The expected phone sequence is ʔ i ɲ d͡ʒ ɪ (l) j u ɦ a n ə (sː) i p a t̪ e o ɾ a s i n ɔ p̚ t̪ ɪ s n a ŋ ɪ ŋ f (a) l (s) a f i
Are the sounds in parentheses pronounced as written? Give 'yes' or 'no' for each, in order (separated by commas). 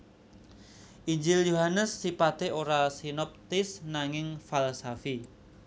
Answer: yes, yes, yes, yes